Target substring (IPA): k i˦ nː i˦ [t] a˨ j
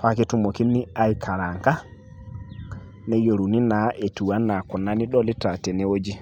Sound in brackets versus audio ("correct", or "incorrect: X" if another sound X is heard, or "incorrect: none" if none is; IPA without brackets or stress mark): incorrect: none